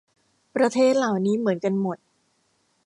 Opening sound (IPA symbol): p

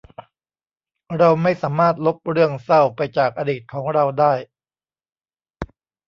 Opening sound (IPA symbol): ɾ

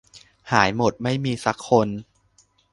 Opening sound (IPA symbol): h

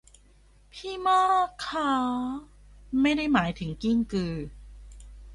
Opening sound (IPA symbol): pʰ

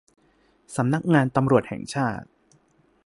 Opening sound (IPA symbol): s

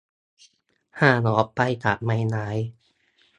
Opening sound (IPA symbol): h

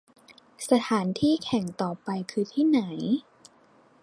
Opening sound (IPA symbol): s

